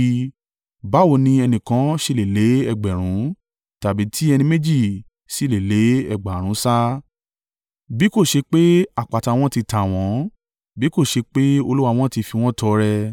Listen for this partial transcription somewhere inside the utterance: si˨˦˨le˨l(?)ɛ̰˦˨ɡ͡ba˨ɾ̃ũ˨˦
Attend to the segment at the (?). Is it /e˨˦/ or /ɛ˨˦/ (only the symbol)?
e˨˦